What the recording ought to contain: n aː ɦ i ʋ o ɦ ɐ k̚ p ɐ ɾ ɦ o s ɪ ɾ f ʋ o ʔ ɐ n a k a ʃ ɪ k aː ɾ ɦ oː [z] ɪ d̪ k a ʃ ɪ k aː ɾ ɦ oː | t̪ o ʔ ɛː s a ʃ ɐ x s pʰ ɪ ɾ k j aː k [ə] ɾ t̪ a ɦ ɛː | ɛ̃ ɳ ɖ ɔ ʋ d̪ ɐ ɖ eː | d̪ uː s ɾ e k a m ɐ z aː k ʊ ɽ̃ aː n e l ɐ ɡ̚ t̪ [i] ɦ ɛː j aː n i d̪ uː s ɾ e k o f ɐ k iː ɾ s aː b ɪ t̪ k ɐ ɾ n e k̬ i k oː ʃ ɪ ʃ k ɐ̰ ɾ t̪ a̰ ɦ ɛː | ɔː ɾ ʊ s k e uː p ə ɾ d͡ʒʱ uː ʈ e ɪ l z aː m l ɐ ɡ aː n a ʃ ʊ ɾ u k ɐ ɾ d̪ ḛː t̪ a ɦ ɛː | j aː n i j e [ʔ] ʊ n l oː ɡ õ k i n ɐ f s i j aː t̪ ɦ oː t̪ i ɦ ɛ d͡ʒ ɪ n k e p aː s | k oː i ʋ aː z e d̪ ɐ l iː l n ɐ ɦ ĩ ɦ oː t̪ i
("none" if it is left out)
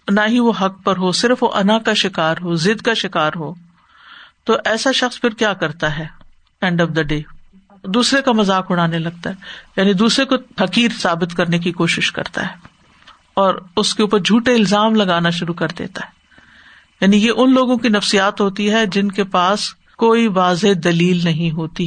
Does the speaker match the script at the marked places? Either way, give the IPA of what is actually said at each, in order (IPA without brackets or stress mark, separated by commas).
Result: z, ɐ, a, ʔ